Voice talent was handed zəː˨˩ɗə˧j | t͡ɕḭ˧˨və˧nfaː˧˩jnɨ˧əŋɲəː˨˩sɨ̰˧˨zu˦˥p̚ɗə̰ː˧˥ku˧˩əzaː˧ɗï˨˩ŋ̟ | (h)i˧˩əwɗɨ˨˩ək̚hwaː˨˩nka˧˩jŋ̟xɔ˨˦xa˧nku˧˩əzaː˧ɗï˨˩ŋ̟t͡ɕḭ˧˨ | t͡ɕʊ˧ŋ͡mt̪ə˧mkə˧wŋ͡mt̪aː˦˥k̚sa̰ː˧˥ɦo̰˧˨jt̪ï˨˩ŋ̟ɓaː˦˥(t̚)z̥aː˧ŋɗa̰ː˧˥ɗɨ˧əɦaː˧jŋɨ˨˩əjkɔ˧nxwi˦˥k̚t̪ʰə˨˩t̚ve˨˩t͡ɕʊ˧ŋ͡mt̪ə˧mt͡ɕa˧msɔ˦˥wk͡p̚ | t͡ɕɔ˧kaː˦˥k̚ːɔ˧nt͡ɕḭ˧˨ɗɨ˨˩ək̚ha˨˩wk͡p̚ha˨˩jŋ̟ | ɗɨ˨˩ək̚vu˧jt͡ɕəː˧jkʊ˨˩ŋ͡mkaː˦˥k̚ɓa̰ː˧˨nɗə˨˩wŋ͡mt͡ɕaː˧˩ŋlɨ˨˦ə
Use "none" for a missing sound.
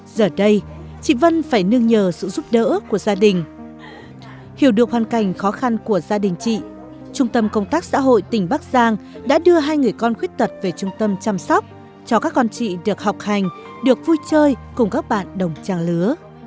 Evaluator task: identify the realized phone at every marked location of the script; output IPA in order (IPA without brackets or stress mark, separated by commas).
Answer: h, k̚